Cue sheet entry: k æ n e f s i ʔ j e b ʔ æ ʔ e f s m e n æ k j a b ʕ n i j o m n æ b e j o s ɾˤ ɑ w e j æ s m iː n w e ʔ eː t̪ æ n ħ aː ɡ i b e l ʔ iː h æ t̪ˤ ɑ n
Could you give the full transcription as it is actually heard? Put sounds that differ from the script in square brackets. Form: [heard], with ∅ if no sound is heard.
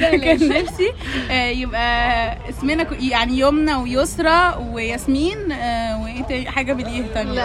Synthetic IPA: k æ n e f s i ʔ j e b ʔ æ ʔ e [∅] s m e n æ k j a [∅] ʕ n i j o m n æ [w] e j o s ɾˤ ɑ w e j æ s m iː n w e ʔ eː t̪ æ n ħ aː ɡ [æ] b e l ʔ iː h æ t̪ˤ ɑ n